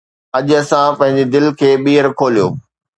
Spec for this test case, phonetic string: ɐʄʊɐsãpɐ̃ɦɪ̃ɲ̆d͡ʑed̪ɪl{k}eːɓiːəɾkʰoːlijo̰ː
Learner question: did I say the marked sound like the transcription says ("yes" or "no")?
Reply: no